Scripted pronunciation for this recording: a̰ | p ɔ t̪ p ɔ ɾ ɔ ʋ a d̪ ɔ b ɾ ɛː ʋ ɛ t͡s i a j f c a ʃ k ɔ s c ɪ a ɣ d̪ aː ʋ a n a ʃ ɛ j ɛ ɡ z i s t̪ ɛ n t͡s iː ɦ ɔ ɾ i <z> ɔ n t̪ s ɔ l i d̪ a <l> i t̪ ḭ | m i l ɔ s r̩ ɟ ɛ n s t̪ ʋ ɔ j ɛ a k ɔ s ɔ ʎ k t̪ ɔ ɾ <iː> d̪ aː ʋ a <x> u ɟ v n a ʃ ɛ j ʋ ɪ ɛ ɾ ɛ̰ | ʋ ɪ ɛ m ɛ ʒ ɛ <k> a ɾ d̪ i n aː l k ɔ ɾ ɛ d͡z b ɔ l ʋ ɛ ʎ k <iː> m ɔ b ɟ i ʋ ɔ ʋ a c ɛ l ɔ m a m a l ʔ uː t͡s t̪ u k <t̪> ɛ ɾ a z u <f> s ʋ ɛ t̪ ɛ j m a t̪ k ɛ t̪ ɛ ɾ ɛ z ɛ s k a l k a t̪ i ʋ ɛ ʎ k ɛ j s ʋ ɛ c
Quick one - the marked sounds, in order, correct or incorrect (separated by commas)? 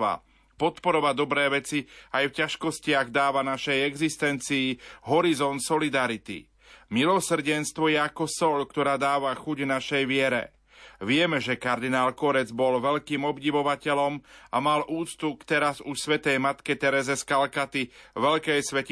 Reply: correct, incorrect, incorrect, correct, correct, correct, correct, incorrect